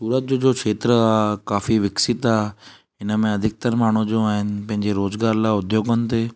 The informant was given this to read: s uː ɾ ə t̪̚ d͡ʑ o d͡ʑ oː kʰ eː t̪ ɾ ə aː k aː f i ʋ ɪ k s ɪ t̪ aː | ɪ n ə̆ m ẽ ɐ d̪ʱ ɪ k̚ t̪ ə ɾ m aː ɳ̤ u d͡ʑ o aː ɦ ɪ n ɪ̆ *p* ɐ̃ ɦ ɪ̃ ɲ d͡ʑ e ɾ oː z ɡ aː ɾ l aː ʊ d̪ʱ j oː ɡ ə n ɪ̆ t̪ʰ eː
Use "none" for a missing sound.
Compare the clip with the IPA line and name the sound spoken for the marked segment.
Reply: p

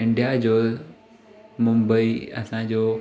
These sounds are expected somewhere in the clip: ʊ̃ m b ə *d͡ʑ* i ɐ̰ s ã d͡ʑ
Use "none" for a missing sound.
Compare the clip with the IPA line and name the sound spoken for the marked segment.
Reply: none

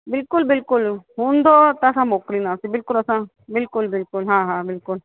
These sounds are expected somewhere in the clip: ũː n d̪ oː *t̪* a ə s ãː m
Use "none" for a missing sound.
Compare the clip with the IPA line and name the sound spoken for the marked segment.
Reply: t̪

